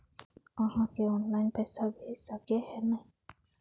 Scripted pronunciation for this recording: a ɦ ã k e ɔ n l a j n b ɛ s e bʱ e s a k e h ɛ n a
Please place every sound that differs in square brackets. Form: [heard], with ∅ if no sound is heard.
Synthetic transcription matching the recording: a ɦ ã k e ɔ n l a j n [p] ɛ s [a] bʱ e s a k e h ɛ n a